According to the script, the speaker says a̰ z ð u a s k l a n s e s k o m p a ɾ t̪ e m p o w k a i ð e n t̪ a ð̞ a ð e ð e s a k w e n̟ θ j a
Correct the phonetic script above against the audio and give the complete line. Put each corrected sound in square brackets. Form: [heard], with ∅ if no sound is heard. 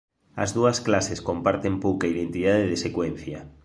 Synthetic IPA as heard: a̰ z ð u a s k l a [∅] s e s k o m p a ɾ t̪ e m p o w k a i ð e n t̪ [i] ð̞ a ð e ð e s [e] k w e n̟ θ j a